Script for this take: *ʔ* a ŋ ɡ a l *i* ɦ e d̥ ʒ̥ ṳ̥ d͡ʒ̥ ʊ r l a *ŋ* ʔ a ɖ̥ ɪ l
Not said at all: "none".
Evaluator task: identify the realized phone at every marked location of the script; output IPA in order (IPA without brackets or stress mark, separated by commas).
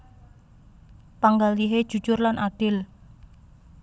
p, i, n